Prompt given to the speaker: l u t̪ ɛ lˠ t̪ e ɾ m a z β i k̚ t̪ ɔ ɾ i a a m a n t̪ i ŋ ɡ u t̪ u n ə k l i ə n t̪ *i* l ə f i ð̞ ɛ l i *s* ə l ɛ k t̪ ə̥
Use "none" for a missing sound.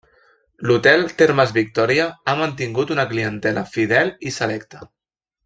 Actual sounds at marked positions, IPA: ɛ, s

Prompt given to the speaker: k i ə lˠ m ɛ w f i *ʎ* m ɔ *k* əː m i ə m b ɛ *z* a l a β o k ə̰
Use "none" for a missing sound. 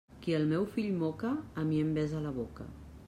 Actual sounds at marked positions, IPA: ʎ, k, z

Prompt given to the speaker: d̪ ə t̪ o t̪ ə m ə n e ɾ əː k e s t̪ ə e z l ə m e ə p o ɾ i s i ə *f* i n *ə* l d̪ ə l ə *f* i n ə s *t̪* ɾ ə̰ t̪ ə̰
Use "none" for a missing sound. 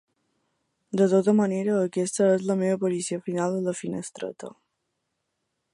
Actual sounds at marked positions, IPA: f, a, f, t̪

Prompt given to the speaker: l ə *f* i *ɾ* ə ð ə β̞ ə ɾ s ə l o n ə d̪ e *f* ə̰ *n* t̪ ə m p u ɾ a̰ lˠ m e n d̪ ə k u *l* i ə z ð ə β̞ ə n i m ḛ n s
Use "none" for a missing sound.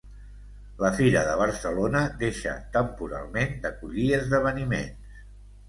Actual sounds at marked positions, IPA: f, ɾ, ʃ, none, ʎ

